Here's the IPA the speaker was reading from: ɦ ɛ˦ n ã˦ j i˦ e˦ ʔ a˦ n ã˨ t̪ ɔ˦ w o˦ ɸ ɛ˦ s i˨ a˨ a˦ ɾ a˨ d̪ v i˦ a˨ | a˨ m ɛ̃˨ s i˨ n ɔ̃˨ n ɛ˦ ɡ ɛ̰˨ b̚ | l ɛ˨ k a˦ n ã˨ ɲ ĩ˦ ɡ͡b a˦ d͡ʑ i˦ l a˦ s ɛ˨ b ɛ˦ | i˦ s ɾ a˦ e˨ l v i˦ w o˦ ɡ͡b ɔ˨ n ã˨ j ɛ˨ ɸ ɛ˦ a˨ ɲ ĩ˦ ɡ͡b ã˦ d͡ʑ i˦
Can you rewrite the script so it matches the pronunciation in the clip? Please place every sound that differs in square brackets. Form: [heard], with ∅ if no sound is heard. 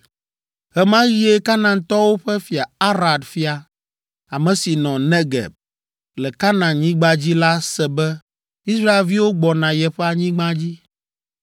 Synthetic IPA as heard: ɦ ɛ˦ [m] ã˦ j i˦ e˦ [k] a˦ n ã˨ t̪ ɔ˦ w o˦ ɸ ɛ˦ [f] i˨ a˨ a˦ ɾ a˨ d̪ [f] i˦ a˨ | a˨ m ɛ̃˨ s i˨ n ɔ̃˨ n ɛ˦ ɡ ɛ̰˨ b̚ | l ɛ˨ k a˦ n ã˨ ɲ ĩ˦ ɡ͡b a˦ d͡ʑ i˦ l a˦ s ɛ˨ b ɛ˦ | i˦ s ɾ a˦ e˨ l v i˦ w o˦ ɡ͡b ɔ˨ n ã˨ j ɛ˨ ɸ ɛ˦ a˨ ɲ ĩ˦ ɡ͡b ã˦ d͡ʑ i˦

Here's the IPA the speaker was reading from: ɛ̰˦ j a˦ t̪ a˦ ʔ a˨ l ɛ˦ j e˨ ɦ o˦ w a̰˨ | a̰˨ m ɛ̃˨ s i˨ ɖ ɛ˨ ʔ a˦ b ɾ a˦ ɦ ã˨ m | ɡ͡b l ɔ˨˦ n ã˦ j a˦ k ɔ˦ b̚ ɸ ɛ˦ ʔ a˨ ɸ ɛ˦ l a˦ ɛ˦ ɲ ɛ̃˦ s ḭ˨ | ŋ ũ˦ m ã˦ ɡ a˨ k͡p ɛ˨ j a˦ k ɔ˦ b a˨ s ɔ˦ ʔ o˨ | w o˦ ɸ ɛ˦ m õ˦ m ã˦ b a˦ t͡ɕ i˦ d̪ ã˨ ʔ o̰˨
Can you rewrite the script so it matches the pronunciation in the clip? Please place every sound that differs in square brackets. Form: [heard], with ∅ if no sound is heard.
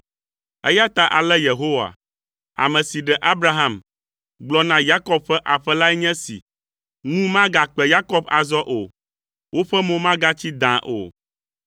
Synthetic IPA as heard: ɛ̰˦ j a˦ t̪ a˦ ʔ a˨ l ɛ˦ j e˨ ɦ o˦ w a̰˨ | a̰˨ m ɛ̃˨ s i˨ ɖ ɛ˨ ʔ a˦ b ɾ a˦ ɦ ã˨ m | ɡ͡b l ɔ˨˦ n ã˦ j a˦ k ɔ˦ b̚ ɸ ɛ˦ ʔ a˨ ɸ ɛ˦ l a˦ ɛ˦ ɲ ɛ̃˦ s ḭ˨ | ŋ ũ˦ m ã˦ ɡ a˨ k͡p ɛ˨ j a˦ k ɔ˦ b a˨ [z] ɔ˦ ʔ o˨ | w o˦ ɸ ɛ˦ m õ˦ m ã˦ [ɡ] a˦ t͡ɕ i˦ d̪ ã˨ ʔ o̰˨

